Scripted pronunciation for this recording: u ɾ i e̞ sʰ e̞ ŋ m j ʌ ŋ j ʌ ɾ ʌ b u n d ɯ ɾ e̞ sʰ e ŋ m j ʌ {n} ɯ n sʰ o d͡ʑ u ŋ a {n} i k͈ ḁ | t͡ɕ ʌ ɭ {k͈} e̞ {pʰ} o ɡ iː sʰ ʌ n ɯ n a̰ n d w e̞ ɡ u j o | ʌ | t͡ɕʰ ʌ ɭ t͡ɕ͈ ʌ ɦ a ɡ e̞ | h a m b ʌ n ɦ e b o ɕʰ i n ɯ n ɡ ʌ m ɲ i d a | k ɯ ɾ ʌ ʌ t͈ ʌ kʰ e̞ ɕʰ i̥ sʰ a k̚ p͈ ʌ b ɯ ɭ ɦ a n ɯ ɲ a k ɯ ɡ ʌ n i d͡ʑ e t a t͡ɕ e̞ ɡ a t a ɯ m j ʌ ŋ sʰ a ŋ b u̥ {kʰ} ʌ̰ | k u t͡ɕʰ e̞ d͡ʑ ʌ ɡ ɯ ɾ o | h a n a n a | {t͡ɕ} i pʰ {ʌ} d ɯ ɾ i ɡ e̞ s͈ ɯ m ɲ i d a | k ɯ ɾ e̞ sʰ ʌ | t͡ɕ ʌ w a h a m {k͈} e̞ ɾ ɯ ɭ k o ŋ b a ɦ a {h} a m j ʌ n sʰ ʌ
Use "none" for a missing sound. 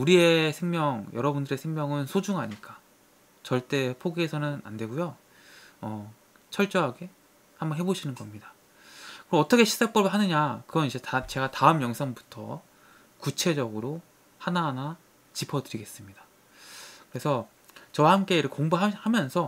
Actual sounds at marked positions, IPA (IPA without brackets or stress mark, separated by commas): ŋ, ɲ, t͈, pʰ, tʰ, t͡ɕ, ʌ, k͈, h